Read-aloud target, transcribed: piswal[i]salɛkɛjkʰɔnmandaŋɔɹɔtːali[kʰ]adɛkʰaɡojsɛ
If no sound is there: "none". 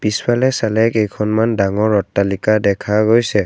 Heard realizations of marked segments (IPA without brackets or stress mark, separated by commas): ɛ, k